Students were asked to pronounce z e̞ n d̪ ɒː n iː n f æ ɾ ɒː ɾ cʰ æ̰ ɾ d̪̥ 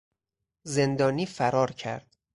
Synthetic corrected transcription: z e̞ n d̪ ɒː n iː f æ ɾ ɒː ɾ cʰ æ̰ ɾ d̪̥